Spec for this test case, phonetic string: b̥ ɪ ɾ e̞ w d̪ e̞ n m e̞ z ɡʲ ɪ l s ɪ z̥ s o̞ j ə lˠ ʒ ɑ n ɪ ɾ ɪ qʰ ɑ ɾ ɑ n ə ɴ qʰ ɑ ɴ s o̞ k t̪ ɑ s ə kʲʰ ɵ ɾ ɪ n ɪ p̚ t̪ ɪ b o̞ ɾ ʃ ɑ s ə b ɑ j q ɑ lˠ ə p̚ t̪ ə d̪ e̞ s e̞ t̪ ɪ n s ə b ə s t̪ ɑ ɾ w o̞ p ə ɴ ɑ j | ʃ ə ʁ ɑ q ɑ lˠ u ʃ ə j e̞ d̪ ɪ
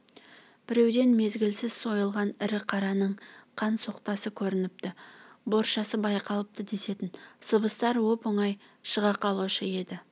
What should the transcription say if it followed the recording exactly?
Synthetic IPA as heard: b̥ ɪ ɾ e̞ w d̪ e̞ n m e̞ z ɡʲ ɪ l s ɪ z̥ s o̞ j ə lˠ ʁ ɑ n ɪ ɾ ɪ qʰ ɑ ɾ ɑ n ə ɴ qʰ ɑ n s o̞ q t̪ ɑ s ə kʲʰ ɵ ɾ ɪ n ɪ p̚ t̪ ɪ b o̞ ɾ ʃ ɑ s ə b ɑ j q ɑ lˠ ə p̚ t̪ ə d̪ e̞ s e̞ t̪ ɪ n s ə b ə s t̪ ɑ ɾ w o̞ p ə ɴ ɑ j | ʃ ə ʁ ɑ q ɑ lˠ u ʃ ə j e̞ d̪ ɪ